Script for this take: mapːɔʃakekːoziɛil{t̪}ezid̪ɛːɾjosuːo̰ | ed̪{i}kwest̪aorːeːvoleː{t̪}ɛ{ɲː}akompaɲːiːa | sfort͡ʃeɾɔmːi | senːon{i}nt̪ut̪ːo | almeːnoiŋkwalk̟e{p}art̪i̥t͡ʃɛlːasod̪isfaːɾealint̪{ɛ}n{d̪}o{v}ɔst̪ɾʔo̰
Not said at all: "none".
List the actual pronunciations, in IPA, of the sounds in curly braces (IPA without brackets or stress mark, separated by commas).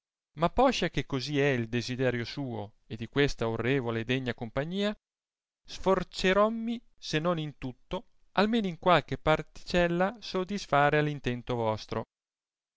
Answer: d̪, i, d̪, ɲː, i, p, ɛ, t̪, v